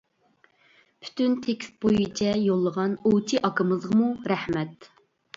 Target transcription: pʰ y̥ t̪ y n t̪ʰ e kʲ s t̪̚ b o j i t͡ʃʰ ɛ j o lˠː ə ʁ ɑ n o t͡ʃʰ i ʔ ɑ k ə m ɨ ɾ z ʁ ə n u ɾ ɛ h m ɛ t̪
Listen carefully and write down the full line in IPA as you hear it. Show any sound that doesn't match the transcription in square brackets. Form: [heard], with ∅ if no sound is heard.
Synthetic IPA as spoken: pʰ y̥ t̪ y n t̪ʰ e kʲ s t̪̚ b o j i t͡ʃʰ ɛ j o lˠː ə ʁ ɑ n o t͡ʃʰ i ʔ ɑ k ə m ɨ [∅] z ʁ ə [m] u ɾ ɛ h m ɛ t̪